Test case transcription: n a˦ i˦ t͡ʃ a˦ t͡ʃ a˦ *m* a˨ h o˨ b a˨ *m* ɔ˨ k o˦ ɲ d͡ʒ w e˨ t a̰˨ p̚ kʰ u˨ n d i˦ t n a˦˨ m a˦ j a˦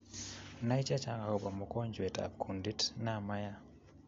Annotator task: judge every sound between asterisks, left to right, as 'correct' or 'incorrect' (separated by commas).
incorrect, correct